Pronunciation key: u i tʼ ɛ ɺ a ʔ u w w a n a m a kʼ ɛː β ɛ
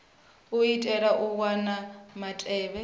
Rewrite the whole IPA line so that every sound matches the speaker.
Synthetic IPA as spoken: u i tʼ ɛ ɺ a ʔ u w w a n a m a tʼ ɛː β ɛ